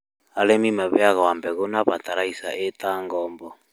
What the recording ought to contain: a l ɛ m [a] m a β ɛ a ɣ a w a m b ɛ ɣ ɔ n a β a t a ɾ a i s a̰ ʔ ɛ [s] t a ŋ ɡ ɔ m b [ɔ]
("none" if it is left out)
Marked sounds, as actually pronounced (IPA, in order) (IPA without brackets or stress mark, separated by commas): i, none, ɔ